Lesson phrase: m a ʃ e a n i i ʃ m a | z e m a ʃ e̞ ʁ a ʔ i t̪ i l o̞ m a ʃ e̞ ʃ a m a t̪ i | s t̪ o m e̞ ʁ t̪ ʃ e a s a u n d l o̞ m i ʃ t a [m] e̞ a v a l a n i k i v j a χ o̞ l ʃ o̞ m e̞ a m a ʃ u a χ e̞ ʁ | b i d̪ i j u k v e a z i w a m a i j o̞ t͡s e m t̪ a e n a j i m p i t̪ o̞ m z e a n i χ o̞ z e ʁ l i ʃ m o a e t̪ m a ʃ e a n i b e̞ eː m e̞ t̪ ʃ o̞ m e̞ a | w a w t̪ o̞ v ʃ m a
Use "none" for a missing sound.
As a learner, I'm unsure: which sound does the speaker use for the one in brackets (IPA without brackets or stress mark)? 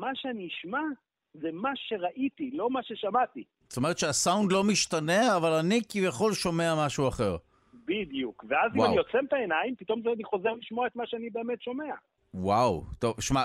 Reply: n